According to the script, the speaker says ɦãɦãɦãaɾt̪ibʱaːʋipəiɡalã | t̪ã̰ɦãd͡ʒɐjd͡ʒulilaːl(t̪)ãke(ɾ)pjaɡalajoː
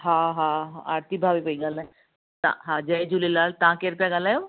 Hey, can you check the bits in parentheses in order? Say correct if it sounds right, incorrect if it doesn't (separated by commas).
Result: correct, correct